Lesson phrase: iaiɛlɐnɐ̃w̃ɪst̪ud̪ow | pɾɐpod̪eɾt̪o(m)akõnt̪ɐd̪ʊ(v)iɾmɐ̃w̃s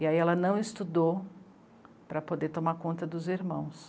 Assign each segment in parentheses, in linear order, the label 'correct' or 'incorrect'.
correct, incorrect: z

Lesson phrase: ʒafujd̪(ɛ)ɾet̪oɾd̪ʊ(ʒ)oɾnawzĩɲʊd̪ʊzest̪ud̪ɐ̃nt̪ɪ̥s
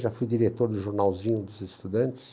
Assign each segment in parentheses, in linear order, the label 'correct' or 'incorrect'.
incorrect: i, correct

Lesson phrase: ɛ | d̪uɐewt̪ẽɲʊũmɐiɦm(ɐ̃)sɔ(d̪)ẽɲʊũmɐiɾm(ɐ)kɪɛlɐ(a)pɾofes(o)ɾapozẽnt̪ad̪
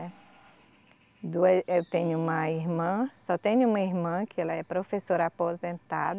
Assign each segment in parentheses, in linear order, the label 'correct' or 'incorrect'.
correct, incorrect: t̪, incorrect: ɐ̃, incorrect: ɛ, correct

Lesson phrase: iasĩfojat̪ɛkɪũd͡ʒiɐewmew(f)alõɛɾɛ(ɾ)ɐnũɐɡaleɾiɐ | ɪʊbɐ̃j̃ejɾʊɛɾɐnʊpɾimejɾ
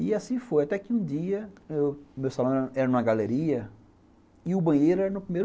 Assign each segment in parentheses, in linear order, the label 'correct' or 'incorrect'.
incorrect: s, correct

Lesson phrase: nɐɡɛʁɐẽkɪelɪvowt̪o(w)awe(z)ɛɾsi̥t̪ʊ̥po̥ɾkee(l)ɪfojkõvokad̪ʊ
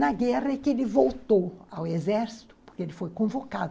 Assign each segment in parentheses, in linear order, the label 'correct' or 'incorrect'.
correct, correct, correct

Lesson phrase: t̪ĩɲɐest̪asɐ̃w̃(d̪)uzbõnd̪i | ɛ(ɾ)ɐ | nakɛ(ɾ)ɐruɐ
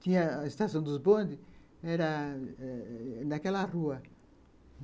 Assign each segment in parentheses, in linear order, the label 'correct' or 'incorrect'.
correct, correct, incorrect: l

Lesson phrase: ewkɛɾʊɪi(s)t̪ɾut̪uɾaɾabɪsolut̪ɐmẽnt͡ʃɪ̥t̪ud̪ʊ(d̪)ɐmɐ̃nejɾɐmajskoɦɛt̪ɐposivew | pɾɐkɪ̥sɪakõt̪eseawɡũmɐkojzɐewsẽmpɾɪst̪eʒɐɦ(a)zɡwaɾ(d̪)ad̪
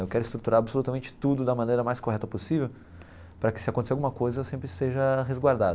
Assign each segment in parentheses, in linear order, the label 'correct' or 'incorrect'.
correct, correct, incorrect: e, correct

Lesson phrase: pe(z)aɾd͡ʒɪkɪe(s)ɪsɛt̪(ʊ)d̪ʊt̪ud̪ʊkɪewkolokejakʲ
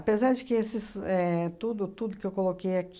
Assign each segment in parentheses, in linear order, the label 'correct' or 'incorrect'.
correct, correct, incorrect: u

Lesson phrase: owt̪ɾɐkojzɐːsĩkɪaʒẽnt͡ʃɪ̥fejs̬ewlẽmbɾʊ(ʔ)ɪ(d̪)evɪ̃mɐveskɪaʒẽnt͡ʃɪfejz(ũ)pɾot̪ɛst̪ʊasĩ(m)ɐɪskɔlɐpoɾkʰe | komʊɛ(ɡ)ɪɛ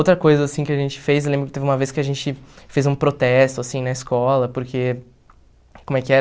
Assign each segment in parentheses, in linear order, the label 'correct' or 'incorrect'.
incorrect: k, incorrect: t̪, correct, incorrect: n, incorrect: k

